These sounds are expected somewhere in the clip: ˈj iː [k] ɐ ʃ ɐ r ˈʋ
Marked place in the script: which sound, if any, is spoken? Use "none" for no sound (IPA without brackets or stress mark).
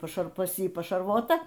p